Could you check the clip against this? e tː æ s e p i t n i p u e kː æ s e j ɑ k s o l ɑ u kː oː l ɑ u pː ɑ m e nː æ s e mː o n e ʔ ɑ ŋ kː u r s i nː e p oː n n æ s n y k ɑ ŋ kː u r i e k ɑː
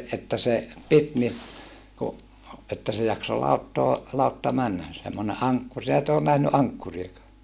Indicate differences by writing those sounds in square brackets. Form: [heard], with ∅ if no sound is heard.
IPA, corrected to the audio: e tː æ s e p i t n i [k] u e [tː] æ s e j ɑ k s o l ɑ u [tː] oː l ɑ u [tː] ɑ m [æ] nː æ s e mː o n e ʔ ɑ ŋ kː u r s i [n] e [t] oː n n æ [h] n y [ʔ] ɑ ŋ kː u r i e k ɑː